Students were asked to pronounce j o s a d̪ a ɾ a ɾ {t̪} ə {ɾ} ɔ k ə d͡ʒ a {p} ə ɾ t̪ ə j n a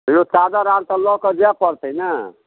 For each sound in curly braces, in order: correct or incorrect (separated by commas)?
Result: correct, incorrect, correct